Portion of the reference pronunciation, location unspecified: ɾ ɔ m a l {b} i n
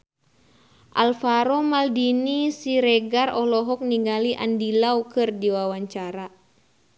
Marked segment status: incorrect: d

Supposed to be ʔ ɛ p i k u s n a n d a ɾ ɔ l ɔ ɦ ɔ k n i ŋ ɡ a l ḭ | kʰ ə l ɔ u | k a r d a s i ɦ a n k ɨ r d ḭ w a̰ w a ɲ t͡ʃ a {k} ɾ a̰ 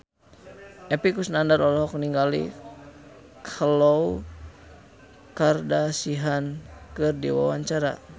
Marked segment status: incorrect: none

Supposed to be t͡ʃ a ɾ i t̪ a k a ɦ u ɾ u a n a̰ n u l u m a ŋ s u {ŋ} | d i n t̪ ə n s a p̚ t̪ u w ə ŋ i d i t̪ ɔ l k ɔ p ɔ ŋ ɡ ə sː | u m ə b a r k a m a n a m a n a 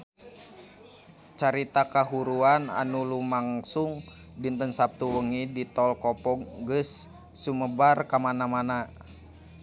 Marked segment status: correct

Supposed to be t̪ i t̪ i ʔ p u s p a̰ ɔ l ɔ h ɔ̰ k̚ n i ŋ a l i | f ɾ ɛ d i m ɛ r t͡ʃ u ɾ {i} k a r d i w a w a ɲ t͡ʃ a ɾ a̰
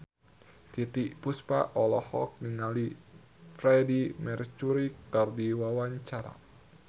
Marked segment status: correct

